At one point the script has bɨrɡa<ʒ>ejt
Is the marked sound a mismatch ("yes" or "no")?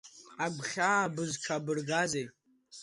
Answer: yes